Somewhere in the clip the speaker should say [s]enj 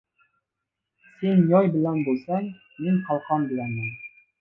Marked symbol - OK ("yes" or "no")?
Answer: yes